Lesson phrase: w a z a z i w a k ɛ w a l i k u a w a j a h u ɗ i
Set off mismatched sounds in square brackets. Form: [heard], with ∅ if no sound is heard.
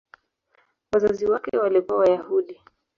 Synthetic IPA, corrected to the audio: w a z a z i w a k ɛ w a l i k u a w a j a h u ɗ i